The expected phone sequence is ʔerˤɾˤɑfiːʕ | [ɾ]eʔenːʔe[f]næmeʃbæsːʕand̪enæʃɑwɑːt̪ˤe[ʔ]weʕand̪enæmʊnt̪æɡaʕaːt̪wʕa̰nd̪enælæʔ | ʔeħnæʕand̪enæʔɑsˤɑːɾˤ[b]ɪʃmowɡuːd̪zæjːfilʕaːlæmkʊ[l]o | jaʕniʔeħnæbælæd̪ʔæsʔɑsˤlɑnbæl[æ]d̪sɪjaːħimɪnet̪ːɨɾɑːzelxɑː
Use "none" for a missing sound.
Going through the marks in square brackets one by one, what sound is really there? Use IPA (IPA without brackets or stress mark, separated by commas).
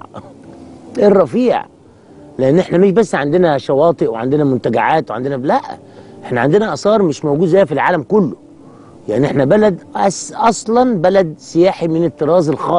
l, ħ, ʔ, m, lː, æ